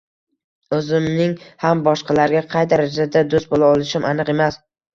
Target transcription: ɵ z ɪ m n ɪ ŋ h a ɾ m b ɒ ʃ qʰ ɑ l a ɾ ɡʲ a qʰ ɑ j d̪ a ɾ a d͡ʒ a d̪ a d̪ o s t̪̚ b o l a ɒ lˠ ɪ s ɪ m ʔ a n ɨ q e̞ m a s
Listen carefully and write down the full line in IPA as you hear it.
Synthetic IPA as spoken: ɵ z ɪ m n ɪ ŋ h a m b ɒ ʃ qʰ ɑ l a ɾ ɡʲ a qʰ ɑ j d̪ a ɾ a d͡ʒ a d̪ a d̪ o s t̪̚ b o l a ɒ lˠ ɪ ʃ ɪ m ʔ a n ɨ q e̞ m a s